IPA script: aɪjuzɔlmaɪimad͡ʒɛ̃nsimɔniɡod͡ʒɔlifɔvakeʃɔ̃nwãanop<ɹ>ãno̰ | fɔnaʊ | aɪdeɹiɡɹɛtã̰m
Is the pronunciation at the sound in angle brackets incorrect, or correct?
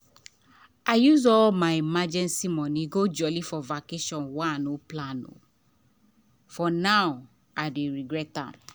incorrect